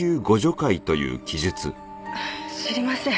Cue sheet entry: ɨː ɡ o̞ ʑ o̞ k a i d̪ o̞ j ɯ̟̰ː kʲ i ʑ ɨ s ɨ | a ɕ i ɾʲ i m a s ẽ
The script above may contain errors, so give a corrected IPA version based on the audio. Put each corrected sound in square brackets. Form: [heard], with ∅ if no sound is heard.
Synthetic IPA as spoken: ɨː ɡ o̞ ʑ o̞ k a i [t̪] o̞ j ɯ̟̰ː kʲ i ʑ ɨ [t͡s] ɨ | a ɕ i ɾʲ i m a s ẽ